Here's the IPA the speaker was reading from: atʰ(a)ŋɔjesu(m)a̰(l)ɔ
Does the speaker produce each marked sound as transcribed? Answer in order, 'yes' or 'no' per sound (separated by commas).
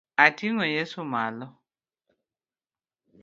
no, yes, yes